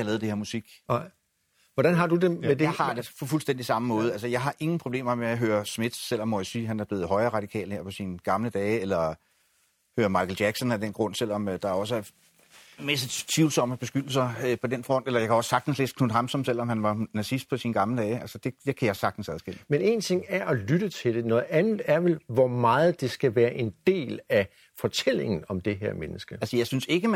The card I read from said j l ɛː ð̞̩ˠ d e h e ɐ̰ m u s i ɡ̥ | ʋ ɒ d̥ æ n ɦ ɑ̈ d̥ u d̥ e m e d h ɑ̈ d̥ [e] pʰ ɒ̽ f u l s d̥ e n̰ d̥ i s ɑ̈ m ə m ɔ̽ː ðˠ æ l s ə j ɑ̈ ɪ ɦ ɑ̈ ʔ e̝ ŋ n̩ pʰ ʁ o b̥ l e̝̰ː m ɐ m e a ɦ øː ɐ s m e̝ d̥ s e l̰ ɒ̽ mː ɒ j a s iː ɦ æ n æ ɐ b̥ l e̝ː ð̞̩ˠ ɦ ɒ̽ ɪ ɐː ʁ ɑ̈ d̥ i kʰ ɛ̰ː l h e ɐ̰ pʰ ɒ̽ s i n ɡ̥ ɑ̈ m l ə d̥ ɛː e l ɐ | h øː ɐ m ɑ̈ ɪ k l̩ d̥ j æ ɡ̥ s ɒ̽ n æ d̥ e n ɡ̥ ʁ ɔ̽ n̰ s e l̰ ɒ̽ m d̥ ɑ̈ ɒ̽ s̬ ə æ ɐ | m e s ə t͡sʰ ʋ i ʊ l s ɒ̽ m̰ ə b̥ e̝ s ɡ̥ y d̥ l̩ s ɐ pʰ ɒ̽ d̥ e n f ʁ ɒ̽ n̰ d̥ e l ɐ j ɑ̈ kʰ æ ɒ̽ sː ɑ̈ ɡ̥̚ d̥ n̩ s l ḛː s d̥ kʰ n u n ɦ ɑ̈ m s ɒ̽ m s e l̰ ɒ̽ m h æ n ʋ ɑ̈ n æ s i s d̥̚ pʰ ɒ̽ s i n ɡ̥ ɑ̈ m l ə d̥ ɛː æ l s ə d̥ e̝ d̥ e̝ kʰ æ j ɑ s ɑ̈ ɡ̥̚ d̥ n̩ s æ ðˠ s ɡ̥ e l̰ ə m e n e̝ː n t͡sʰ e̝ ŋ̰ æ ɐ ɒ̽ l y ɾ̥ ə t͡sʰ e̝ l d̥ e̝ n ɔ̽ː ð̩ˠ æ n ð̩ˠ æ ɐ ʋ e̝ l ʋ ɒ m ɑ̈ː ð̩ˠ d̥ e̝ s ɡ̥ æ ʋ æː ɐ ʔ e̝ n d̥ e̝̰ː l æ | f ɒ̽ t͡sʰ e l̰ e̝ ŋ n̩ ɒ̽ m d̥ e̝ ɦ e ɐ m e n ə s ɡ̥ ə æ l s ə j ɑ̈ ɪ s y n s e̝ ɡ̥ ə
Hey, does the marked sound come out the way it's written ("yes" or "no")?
yes